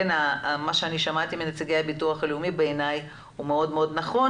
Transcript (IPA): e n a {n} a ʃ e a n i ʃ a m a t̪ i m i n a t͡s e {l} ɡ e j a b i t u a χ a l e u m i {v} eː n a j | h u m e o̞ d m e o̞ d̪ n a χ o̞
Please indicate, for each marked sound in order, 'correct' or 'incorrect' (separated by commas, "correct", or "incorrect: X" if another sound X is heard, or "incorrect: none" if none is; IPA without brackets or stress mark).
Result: incorrect: m, incorrect: none, incorrect: b